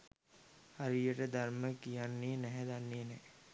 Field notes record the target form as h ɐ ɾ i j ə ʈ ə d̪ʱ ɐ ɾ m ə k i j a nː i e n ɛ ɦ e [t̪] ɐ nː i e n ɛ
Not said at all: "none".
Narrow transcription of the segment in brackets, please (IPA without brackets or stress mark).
d̪